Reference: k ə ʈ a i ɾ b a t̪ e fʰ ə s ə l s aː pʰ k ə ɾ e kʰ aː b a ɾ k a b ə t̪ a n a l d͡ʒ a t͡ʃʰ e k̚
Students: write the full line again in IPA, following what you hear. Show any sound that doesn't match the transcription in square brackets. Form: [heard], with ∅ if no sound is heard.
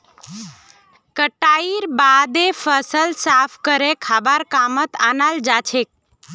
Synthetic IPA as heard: k ə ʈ a i ɾ b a [d̪] e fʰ ə s ə l s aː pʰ k ə ɾ e kʰ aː b a ɾ k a [m] ə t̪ a n a l d͡ʒ a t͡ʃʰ e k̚